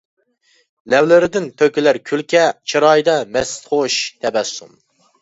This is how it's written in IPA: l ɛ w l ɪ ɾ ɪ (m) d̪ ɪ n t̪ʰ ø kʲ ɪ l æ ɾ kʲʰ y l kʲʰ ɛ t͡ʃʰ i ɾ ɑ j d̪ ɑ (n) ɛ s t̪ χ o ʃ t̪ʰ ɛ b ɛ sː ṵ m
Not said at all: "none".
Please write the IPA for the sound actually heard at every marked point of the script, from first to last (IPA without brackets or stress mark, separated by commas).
none, m